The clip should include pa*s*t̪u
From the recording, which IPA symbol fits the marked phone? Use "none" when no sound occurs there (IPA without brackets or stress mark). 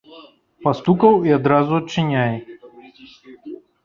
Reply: s